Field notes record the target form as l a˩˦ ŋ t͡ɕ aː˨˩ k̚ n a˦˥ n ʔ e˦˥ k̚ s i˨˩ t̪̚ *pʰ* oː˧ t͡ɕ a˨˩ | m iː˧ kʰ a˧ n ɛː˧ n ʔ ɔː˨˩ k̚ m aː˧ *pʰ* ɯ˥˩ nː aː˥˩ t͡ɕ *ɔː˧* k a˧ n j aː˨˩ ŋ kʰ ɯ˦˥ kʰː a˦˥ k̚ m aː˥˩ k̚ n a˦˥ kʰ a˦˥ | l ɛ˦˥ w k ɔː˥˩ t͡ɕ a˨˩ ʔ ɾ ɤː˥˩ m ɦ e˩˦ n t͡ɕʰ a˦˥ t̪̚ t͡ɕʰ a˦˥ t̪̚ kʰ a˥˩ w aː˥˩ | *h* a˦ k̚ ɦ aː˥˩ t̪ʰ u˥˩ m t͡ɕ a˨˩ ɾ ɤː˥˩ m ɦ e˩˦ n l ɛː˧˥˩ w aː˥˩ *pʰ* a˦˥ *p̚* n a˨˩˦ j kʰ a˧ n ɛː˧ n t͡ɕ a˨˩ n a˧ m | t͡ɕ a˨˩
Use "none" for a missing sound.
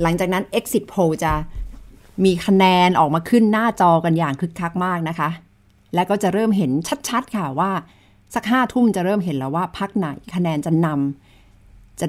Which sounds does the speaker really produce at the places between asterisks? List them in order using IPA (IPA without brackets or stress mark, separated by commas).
pʰ, kʰ, ɔː˧, s, pʰ, k̚